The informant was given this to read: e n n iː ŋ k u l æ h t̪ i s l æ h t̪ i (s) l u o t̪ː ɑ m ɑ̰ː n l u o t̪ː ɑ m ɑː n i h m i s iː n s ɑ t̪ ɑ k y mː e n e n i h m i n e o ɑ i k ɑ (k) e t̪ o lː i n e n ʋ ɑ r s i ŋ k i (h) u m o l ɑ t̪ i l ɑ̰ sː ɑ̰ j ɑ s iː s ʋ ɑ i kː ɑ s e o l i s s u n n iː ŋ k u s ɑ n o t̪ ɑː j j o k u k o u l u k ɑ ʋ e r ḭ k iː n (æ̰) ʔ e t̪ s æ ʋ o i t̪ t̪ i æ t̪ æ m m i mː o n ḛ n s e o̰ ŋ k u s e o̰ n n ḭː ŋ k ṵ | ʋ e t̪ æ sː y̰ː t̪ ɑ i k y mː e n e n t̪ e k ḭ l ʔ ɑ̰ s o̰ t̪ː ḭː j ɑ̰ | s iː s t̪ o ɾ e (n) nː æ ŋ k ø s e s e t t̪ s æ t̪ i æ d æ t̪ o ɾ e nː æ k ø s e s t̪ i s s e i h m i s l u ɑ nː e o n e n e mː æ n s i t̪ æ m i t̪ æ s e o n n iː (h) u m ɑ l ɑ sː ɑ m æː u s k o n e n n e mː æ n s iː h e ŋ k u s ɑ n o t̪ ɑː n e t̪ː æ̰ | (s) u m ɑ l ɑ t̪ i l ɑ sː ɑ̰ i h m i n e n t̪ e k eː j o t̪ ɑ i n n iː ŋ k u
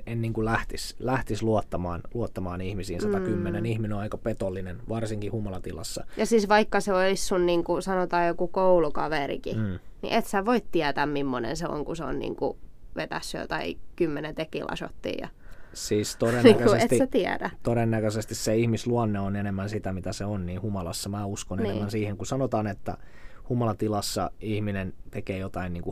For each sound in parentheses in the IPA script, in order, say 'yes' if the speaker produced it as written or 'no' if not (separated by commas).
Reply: yes, no, yes, no, yes, yes, no